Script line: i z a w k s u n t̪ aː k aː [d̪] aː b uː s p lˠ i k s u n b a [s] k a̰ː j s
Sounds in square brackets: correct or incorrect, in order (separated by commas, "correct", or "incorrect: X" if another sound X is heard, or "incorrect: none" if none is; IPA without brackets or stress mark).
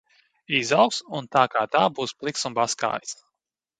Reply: incorrect: t̪, correct